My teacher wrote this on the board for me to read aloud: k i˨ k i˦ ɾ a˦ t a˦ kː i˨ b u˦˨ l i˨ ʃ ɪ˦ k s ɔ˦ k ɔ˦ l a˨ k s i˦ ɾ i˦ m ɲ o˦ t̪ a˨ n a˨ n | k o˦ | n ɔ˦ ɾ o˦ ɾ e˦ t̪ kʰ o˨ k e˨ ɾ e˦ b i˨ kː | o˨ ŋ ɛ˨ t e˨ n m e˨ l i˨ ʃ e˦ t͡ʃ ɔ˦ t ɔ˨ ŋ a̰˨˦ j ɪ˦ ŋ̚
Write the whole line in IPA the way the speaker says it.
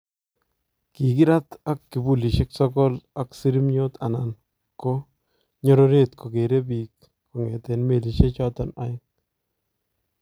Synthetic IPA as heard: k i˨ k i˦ ɾ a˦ t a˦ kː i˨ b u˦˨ l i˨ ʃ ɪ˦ k s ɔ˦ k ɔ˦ l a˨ k s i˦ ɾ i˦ m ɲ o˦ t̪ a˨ n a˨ n | k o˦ | ɲ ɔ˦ ɾ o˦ ɾ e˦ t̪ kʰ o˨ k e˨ ɾ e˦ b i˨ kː | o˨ ŋ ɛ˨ t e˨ n m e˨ l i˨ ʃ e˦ t͡ʃ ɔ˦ t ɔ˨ n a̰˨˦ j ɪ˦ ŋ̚